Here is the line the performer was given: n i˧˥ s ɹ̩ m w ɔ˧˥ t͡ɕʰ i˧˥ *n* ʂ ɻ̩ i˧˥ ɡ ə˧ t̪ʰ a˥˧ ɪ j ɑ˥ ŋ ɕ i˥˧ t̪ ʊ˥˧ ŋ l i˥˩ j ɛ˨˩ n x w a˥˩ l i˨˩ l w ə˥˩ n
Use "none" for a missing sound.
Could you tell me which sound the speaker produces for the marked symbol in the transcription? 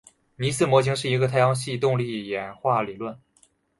ŋ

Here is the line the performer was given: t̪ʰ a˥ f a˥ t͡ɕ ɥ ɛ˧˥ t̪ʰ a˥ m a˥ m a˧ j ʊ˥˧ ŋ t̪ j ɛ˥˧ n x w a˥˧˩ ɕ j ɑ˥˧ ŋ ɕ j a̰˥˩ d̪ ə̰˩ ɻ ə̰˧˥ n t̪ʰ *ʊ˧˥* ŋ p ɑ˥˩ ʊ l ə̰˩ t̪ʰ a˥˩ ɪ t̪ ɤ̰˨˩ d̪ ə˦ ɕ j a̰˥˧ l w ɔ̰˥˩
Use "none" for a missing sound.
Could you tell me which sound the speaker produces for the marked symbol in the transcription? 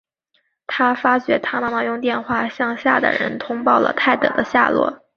ʊ˥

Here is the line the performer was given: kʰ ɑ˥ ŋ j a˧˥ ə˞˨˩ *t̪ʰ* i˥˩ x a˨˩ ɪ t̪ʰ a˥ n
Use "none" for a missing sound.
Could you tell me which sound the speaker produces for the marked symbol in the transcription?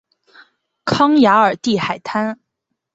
t̪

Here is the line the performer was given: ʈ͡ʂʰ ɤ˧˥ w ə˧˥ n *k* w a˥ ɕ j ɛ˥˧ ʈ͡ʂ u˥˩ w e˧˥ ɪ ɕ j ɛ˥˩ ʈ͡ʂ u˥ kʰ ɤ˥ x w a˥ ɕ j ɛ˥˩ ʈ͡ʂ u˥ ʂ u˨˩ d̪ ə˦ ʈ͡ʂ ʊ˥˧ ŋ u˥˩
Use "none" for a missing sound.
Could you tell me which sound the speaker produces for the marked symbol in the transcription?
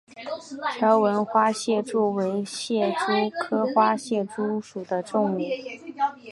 x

